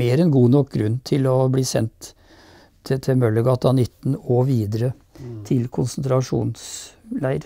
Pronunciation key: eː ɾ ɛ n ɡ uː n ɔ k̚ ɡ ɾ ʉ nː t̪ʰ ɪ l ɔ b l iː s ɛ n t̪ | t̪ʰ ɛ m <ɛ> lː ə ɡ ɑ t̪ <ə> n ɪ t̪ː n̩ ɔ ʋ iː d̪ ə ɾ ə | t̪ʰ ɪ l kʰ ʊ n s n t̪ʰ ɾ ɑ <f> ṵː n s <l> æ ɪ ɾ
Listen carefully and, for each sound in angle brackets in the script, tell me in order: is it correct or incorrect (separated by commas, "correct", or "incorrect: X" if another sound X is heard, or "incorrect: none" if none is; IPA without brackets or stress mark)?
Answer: incorrect: œ, incorrect: ɑ, incorrect: ʂ, correct